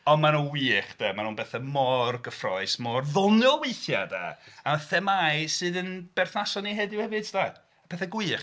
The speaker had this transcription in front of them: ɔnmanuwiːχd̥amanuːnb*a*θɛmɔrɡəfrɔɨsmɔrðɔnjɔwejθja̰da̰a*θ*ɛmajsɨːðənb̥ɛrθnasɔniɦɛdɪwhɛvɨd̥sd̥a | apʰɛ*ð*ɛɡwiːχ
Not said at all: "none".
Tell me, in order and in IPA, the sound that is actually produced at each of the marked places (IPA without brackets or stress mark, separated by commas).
ɛ, θ, θ